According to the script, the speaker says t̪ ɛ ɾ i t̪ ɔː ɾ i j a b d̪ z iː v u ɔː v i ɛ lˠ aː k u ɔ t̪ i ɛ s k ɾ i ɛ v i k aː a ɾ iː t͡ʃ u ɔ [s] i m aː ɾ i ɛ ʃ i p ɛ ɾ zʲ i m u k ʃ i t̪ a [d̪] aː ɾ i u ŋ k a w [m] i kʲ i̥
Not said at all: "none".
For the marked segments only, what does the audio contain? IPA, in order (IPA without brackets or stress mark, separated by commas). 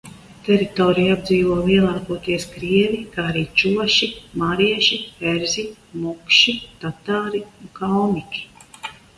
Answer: ʃ, t̪, m